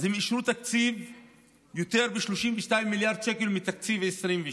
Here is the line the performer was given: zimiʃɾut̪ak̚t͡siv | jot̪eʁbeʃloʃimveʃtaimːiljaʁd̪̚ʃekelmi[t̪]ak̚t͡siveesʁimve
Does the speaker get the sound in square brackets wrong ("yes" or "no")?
no